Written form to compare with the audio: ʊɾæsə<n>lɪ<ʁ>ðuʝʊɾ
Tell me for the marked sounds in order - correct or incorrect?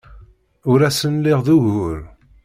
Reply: correct, correct

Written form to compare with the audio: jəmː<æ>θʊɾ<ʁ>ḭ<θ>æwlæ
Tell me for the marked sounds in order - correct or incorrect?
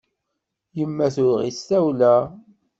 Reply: correct, correct, incorrect

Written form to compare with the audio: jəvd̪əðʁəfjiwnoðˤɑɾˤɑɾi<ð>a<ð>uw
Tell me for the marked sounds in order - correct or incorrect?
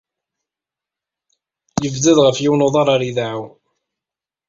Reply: correct, incorrect

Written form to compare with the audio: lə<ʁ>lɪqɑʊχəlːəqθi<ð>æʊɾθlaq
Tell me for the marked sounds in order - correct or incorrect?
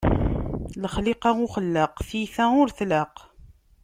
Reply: incorrect, incorrect

